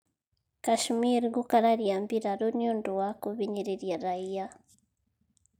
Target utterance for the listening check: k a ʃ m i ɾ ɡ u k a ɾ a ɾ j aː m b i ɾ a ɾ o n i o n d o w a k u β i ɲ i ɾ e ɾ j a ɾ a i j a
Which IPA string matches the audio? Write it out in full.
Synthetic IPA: k a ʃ m i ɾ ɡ u k a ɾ a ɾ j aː m b i ɾ a ɾ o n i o n d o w a k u β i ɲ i ɾ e ɾ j a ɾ a i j a